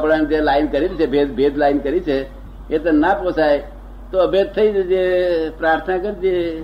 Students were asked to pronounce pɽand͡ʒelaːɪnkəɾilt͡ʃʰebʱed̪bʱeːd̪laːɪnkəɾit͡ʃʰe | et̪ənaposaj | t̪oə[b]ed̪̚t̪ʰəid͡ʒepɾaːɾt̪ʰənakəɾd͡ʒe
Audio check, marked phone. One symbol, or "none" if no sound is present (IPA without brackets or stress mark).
b